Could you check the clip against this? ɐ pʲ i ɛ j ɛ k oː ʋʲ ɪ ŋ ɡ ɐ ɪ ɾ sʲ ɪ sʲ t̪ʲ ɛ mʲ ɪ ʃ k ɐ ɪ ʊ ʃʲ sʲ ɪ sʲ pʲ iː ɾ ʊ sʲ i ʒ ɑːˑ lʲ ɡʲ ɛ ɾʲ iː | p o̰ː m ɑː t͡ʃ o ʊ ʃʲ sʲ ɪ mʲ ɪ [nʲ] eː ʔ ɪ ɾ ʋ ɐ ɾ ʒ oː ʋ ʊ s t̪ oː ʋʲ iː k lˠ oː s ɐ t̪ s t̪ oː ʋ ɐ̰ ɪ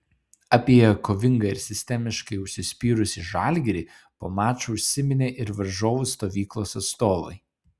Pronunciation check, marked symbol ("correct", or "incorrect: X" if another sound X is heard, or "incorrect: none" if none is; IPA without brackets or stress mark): correct